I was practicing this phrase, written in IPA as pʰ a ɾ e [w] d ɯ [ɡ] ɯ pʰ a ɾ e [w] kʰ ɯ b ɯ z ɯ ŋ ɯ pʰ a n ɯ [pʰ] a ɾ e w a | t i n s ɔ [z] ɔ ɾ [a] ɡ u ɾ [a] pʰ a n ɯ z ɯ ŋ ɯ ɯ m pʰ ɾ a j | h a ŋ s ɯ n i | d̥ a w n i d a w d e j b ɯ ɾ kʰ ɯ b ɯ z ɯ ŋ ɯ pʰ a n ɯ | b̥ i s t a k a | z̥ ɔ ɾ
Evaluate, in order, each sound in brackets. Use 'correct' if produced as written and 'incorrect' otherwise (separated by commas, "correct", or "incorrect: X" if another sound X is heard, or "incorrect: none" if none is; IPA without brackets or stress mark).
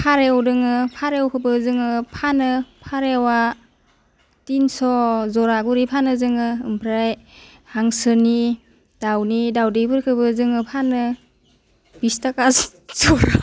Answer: correct, incorrect: ŋ, correct, correct, correct, correct, incorrect: i